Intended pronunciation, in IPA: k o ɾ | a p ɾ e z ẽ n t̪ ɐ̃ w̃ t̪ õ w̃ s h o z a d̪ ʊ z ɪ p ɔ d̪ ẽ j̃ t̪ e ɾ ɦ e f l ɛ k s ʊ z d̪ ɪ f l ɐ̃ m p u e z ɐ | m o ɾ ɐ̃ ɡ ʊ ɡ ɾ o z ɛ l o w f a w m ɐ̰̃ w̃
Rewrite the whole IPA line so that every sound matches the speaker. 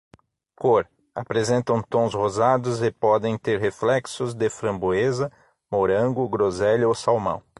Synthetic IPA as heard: k o ɾ | a p ɾ e z ẽ n t̪ ɐ̃ w̃ t̪ õ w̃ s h o z a d̪ ʊ z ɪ p ɔ d̪ ẽ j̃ t̪ e ɾ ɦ e f l ɛ k s ʊ z d̪ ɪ f ɾ ɐ̃ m b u e z ɐ | m o ɾ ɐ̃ ɡ ʊ ɡ ɾ o z ɛ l o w s a w m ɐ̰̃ w̃